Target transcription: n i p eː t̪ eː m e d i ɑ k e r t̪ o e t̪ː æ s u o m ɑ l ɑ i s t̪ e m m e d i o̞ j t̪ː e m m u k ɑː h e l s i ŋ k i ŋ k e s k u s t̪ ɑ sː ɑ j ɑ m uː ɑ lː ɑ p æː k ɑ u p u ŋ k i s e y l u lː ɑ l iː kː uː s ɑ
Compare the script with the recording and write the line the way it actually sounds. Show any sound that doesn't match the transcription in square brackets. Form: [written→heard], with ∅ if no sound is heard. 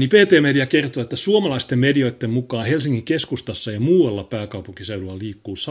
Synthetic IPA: n i p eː t̪ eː m e d i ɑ k e r t̪ o e t̪ː æ s u o m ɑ l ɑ i s t̪ e m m e d i o̞ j t̪ː e m m u k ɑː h e l s i ŋ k i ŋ k e s k u s t̪ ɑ sː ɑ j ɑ m uː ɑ lː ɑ p æː k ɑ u p u ŋ k i s e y l u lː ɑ l iː kː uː s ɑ